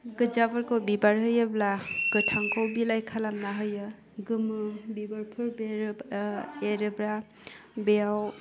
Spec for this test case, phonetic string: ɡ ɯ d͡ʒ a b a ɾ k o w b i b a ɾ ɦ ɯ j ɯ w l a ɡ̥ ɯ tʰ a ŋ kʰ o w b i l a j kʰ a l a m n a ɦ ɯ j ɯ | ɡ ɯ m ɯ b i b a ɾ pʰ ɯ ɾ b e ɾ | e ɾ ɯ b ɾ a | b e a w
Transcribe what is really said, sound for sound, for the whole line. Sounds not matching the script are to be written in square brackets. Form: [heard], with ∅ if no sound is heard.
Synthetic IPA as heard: ɡ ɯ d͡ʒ a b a ɾ k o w b i b a ɾ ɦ ɯ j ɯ [b] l a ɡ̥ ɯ tʰ a ŋ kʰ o w b i l a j kʰ a l a m n a ɦ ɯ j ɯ | ɡ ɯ m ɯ b i b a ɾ pʰ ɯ ɾ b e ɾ | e ɾ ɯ b ɾ a | b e a w